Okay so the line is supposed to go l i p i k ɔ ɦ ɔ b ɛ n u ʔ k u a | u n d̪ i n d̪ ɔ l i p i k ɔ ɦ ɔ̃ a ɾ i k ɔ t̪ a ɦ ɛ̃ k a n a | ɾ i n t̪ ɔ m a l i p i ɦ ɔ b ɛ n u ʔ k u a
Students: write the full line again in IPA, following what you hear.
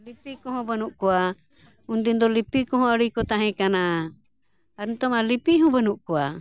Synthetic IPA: l i p i k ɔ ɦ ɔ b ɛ n u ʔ k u a | u n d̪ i n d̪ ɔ l i p i k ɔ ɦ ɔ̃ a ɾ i k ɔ t̪ a ɦ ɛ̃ k a n a | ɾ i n t̪ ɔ m a l i p i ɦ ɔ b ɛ n u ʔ k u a